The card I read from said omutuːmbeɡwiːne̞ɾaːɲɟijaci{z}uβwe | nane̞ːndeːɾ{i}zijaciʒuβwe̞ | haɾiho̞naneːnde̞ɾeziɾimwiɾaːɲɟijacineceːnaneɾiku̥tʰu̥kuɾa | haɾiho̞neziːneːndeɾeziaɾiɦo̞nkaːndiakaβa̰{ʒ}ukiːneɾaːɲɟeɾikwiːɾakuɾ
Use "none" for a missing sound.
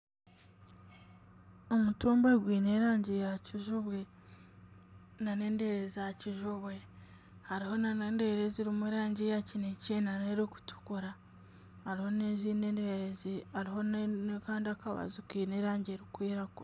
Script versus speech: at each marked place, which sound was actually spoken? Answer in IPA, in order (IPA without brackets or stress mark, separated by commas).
ʒ, e, z